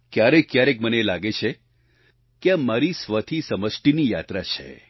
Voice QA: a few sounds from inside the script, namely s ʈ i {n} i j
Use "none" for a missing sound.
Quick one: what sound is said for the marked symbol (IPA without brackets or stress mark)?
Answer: n